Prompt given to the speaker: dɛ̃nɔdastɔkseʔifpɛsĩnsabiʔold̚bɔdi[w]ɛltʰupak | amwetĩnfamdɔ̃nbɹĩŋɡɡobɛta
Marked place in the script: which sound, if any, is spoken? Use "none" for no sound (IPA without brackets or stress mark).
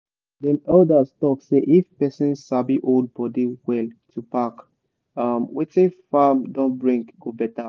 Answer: w